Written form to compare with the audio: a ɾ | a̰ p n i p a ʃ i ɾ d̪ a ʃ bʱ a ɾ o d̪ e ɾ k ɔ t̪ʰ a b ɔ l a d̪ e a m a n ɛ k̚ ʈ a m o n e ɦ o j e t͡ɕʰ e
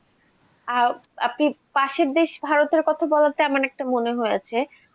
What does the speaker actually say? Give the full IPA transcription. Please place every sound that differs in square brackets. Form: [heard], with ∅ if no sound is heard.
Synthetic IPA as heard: a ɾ | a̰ p n i p a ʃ [e] ɾ d̪ [e] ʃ bʱ a ɾ o [t̪] e ɾ k ɔ t̪ʰ a b ɔ l a [t̪] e a m a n ɛ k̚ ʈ a m o n e ɦ o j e t͡ɕʰ e

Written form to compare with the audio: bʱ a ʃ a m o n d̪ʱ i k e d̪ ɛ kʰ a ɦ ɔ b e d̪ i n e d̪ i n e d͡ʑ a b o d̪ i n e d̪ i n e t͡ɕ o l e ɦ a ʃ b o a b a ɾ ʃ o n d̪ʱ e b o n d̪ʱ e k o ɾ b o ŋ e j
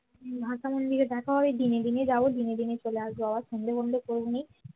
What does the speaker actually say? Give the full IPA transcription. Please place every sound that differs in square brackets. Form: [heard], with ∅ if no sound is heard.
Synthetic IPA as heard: bʱ a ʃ a m o n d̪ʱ i k e d̪ ɛ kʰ a ɦ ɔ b e d̪ i n e d̪ i n e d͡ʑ a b o d̪ i n e d̪ i n e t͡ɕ o l e [∅] a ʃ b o a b a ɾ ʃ o n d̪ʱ e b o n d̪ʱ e k o ɾ b o [n] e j

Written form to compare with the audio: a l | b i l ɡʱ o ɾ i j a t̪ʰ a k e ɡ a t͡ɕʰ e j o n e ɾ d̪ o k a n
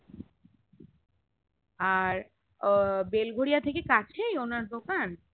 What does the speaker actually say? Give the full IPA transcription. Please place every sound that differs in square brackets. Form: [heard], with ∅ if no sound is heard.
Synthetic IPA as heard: a [ɾ] | b [e] l ɡʱ o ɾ i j a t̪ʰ [e] k e [k] a t͡ɕʰ e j o n [a] ɾ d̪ o k a n

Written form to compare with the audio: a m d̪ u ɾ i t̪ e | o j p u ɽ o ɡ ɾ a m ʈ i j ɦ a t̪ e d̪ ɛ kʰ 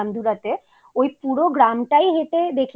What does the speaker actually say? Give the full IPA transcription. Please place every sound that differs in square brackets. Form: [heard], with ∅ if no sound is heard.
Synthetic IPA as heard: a m d̪ u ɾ [a] t̪ e | o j p u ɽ o ɡ ɾ a m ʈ [a] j ɦ [e] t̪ e d̪ [e] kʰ

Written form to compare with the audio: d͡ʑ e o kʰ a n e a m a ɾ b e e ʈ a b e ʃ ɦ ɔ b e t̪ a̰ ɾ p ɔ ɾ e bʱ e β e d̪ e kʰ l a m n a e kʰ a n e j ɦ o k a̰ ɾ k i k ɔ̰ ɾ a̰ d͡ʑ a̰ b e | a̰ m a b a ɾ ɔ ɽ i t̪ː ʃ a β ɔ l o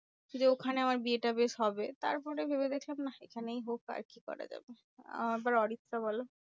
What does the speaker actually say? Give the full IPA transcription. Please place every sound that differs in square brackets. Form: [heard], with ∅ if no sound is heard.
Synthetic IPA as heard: d͡ʑ e o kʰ a n e a m a ɾ b [i] e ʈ a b e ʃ ɦ ɔ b e t̪ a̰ ɾ p ɔ ɾ e bʱ e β e d̪ e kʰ l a m n a e kʰ a n e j ɦ o k a̰ ɾ k i k ɔ̰ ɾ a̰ d͡ʑ a̰ b e | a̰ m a b a ɾ ɔ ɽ i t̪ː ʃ a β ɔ l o

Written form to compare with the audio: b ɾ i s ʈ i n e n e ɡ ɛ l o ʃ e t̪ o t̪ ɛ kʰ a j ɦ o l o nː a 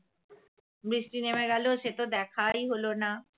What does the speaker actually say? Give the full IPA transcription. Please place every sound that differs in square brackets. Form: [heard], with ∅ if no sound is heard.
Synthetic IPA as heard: b ɾ i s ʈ i n e [m] e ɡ ɛ l o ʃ e t̪ o [d̪] ɛ kʰ a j ɦ o l o [n] a

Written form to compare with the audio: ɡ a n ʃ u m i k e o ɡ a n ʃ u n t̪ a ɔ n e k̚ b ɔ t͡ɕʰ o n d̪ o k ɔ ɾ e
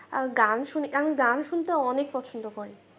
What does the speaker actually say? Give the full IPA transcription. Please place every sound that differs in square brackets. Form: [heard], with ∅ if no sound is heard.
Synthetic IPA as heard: ɡ a n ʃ u [n] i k [a] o ɡ a n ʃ u n t̪ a ɔ n e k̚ [p] ɔ t͡ɕʰ o n d̪ o k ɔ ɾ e

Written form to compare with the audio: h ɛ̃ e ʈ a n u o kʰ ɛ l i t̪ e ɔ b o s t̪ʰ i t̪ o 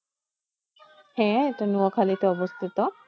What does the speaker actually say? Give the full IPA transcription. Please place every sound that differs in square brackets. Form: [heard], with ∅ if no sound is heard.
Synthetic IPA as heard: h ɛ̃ e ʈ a n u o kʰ [a] l i t̪ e ɔ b o s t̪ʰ i t̪ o

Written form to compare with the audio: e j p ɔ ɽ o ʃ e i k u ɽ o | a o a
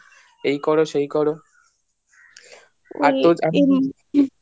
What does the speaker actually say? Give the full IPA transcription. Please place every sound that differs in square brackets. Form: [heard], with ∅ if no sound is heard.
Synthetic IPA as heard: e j [k] ɔ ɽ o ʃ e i k [ɔ] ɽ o | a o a

